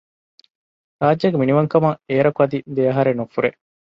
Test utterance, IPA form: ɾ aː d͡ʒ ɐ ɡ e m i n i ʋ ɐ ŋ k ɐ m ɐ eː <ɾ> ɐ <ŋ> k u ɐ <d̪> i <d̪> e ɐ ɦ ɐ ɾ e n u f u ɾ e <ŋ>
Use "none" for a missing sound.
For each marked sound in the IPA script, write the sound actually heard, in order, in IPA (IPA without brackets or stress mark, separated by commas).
ɾ, none, d̪, d̪, none